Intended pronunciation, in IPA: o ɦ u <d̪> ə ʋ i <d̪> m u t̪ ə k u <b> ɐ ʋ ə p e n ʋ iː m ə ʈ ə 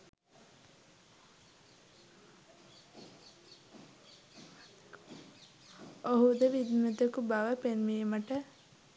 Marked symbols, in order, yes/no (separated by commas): yes, yes, yes